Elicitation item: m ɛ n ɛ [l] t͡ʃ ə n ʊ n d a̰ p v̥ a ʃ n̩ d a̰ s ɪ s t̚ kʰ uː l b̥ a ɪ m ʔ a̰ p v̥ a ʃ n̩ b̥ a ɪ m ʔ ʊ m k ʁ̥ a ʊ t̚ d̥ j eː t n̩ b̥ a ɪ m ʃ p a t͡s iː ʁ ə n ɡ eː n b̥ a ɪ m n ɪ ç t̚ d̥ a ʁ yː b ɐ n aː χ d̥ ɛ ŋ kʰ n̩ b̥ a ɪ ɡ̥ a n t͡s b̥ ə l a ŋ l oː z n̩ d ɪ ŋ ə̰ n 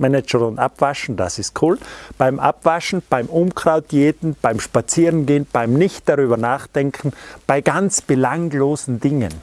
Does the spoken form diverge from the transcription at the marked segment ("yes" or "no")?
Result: yes